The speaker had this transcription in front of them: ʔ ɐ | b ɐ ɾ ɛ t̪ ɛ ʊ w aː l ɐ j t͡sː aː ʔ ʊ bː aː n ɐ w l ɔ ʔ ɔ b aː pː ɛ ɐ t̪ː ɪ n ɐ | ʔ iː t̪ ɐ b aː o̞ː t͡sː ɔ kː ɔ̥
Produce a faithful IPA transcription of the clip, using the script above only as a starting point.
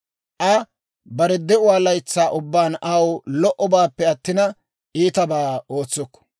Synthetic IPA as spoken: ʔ ɐ | b ɐ ɾ ɛ d̪ ɛ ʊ w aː l ɐ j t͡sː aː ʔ ʊ bː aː n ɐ w l ɔ ʔ ɔ b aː pː ɛ ɐ t̪ː ɪ n ɐ | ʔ iː t̪ ɐ b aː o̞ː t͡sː ɔ kː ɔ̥